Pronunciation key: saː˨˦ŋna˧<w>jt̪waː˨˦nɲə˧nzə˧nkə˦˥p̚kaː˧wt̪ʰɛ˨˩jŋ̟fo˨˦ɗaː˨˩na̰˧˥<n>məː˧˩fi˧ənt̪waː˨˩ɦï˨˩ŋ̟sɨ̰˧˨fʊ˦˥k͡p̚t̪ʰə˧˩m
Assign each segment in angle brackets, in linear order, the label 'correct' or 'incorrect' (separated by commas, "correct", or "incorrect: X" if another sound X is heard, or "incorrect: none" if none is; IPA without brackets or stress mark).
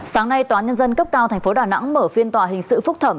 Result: incorrect: none, incorrect: ŋ